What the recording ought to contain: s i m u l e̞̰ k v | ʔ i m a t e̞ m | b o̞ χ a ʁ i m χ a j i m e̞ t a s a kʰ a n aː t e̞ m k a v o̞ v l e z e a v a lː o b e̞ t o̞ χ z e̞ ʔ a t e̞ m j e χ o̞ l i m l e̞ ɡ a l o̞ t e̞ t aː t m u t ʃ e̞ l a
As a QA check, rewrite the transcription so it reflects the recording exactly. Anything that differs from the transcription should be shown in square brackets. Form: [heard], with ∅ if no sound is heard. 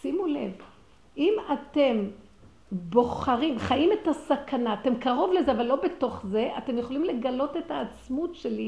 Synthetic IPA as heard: s i m u l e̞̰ [∅] v | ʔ i m a t e̞ m | b o̞ χ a ʁ i m χ a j i m e̞ t a s a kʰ a n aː t e̞ m k a [ʁ] o̞ v l e z e a v a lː o b e̞ t o̞ χ z e̞ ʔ a t e̞ m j e χ o̞ l i m l e̞ ɡ a l o̞ t e̞ t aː [t͡s] m u t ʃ e̞ l [i]